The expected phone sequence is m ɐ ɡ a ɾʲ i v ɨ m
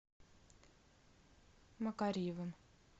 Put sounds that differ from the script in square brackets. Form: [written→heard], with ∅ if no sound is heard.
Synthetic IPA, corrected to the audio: m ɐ [ɡ→k] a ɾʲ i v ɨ m

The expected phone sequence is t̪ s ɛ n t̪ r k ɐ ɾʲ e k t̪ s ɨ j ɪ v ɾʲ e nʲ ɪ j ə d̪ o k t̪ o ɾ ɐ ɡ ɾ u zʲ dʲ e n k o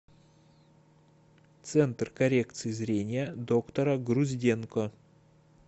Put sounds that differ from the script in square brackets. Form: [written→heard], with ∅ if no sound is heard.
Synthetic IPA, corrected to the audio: t̪ s ɛ n t̪ r k ɐ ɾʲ e k t̪ s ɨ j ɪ [v→z] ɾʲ e nʲ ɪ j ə d̪ o k t̪ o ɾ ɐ ɡ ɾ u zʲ dʲ e n k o

